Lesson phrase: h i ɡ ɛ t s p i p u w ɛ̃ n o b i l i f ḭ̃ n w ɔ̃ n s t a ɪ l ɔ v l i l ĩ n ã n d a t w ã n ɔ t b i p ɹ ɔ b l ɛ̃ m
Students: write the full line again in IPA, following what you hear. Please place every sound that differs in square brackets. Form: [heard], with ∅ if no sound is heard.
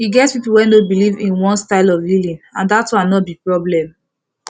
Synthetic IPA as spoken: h i ɡ ɛ t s p i p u w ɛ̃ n o b i l i [v] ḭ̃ n w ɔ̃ n s t a ɪ l ɔ v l i l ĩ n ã n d a t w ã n ɔ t b i p ɹ ɔ b l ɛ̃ m